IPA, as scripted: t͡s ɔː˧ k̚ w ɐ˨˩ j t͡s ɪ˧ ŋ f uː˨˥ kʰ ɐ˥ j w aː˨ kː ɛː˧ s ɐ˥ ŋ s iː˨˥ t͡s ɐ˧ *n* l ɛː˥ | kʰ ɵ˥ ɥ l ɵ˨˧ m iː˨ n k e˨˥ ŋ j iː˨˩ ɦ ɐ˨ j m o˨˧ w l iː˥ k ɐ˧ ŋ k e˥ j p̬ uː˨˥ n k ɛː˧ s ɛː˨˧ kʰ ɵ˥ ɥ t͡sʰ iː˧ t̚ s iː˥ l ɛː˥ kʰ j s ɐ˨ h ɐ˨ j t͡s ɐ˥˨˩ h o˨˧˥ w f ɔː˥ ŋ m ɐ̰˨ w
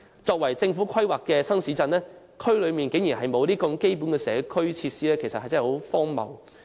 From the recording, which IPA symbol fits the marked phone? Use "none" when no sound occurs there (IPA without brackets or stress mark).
n